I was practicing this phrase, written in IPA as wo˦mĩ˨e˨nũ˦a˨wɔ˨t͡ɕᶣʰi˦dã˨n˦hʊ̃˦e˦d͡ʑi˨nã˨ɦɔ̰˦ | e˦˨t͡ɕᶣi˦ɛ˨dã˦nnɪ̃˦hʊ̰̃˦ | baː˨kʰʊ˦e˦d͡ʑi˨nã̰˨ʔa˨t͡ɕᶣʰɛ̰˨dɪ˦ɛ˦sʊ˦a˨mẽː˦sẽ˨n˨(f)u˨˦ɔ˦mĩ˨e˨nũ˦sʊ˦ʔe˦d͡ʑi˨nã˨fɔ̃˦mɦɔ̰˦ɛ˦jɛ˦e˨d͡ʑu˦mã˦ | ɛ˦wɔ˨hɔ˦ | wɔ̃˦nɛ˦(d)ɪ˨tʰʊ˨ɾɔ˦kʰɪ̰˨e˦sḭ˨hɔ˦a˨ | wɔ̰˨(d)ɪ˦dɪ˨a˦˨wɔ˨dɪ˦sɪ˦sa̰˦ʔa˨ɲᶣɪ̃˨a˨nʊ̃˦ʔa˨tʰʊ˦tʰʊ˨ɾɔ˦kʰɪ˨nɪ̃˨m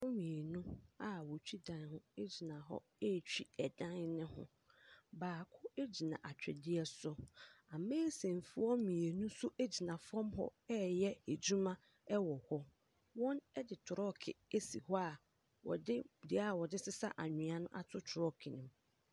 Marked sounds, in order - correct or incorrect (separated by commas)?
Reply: correct, correct, correct